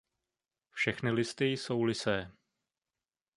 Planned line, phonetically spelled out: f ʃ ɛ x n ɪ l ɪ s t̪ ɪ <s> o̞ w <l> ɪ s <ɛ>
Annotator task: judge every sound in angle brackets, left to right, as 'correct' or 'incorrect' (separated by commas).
correct, correct, incorrect